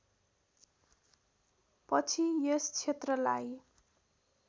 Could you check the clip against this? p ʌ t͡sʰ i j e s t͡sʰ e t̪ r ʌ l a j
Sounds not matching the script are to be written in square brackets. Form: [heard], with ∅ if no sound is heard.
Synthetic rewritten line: p ʌ t͡sʰ i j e s t͡sʰ e t̪ r ʌ l a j